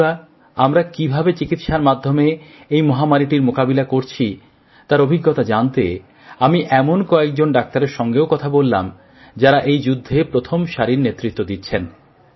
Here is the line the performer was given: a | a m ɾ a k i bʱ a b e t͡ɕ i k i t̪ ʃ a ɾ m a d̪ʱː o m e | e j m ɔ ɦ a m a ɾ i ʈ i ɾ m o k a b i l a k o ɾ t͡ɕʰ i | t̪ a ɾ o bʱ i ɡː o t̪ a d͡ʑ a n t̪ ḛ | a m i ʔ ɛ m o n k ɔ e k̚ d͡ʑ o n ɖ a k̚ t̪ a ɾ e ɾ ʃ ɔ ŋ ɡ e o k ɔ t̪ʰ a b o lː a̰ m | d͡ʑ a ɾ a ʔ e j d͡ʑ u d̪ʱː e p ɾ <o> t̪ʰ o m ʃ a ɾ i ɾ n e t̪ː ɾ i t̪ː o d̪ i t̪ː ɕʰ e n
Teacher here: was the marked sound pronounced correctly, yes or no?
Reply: yes